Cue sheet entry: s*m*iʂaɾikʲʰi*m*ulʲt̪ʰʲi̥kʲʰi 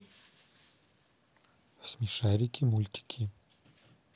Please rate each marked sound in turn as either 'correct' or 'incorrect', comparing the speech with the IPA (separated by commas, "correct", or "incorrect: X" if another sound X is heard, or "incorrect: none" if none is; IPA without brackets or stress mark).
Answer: correct, correct